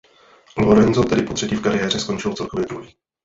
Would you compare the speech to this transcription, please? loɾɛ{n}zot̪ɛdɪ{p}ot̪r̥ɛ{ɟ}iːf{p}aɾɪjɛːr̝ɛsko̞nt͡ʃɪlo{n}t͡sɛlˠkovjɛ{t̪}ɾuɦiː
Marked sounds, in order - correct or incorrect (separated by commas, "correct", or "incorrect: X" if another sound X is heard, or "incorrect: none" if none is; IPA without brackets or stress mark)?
correct, correct, incorrect: c, incorrect: k, incorrect: none, incorrect: d̪